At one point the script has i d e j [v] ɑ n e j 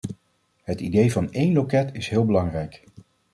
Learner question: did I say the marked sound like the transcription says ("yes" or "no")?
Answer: yes